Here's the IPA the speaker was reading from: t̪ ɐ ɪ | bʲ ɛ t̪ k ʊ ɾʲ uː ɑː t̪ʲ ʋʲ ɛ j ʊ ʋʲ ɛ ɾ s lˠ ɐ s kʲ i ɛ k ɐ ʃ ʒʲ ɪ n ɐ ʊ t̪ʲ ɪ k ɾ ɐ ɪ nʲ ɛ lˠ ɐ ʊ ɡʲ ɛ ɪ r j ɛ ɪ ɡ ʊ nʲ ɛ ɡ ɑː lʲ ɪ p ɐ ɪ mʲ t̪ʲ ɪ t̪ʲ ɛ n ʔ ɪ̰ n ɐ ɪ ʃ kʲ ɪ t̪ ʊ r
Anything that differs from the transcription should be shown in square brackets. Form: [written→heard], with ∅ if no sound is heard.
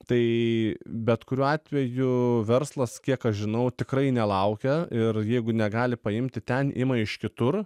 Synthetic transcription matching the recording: t̪ ɐ ɪ | bʲ ɛ t̪ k ʊ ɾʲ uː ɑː t̪ʲ ʋʲ ɛ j ʊ ʋʲ ɛ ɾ s lˠ ɐ s kʲ i ɛ k ɐ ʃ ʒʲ ɪ n ɐ ʊ t̪ʲ ɪ k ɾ ɐ ɪ nʲ ɛ lˠ ɐ ʊ [ɡʲ→kʲ] ɛ ɪ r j ɛ ɪ ɡ ʊ nʲ ɛ ɡ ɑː lʲ ɪ p ɐ ɪ mʲ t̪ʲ ɪ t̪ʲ ɛ n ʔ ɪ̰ [n→m] ɐ ɪ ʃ kʲ ɪ t̪ ʊ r